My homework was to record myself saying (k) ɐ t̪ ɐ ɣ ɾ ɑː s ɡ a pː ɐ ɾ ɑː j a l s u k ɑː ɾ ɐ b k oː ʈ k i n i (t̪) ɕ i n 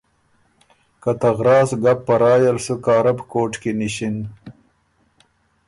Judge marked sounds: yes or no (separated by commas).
yes, no